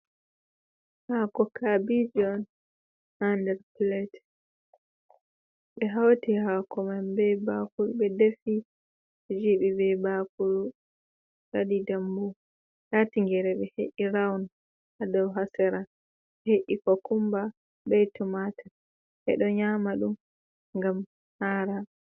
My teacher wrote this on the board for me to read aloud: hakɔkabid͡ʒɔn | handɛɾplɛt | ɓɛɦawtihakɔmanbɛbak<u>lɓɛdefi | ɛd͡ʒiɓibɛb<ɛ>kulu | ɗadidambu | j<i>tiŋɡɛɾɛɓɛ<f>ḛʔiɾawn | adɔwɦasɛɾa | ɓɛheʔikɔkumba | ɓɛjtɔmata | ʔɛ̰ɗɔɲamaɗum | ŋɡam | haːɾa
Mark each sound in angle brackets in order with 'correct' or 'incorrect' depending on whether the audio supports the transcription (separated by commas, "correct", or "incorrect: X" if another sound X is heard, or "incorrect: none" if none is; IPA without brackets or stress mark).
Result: correct, incorrect: a, incorrect: a, incorrect: h